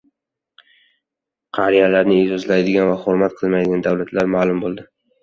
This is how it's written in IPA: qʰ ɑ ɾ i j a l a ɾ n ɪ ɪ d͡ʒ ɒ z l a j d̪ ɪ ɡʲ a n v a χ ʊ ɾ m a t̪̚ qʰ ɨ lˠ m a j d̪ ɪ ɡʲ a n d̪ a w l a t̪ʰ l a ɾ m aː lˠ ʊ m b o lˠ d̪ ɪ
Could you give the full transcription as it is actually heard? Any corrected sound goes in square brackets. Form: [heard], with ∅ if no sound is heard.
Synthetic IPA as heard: qʰ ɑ ɾ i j a l a ɾ n ɪ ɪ d͡ʒ ɒ z l a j d̪ ɪ ɡʲ a n v a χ ʊ ɾ m a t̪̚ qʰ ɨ lˠ m a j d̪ ɪ ɡʲ a n d̪ a w l a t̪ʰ l a ɾ m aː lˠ ʊ m b o lˠ d̪ ɪ